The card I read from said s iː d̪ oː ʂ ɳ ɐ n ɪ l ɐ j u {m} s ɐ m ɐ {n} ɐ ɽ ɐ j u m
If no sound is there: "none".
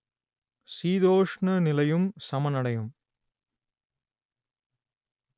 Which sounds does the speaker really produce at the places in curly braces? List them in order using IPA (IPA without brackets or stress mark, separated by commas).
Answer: m, n